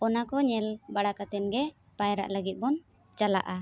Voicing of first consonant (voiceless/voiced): voiced